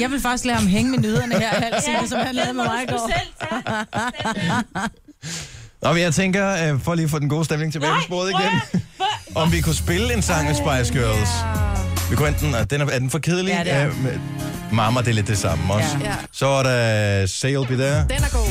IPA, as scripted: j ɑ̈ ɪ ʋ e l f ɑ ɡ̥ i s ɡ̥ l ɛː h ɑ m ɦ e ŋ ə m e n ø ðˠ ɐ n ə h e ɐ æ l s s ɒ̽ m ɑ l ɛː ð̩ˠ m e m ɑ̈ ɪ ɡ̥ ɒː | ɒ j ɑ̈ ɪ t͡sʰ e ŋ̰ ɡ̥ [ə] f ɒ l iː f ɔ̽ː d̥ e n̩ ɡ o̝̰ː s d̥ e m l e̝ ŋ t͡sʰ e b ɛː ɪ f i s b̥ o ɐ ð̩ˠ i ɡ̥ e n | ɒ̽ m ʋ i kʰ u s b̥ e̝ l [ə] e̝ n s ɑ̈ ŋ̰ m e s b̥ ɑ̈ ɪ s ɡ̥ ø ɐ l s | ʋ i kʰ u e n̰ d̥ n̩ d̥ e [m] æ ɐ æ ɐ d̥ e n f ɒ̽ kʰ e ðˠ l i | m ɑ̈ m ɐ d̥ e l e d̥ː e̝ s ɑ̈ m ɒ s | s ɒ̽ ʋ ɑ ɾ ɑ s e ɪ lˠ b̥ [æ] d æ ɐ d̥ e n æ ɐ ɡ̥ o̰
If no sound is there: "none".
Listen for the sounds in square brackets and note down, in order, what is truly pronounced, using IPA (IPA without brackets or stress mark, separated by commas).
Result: ɐ, ə, n, i